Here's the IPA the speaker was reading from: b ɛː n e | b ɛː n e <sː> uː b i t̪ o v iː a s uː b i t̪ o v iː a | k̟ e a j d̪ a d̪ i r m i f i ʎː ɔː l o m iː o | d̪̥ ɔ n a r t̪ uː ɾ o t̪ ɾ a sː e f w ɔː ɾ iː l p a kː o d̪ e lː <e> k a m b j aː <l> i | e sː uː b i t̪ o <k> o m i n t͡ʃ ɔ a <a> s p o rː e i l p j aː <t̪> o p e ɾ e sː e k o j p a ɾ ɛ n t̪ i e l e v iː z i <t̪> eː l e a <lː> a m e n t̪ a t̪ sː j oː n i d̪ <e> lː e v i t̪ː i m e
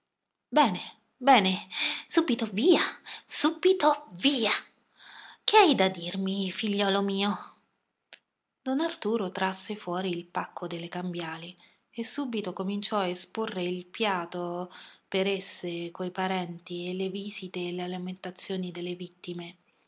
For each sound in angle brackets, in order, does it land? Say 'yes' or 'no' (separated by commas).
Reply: no, yes, yes, yes, no, yes, yes, no, yes